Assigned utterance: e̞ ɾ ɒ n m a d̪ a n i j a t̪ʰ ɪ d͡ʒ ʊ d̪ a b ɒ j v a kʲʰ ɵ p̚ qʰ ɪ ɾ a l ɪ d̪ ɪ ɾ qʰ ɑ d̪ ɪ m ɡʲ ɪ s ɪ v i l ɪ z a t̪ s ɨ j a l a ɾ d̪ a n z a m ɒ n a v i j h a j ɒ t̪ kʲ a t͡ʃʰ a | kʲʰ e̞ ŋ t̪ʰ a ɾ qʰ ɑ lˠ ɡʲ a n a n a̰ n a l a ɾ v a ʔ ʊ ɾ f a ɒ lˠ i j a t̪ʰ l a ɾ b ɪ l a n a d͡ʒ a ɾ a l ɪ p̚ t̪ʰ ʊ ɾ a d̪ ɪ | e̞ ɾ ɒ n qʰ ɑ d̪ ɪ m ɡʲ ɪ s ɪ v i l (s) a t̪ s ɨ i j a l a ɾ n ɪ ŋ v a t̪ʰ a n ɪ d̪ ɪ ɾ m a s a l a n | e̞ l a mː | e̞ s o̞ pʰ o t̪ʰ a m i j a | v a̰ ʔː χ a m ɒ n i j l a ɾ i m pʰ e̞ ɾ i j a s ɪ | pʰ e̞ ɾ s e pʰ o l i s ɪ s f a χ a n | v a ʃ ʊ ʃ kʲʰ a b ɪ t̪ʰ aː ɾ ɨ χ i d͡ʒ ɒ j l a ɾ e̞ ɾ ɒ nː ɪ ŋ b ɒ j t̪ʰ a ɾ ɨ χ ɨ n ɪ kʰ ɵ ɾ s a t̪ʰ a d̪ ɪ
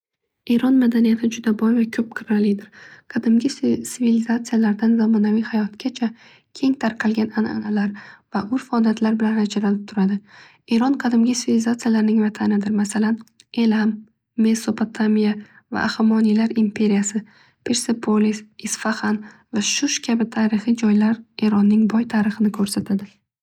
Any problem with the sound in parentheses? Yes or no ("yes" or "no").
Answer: yes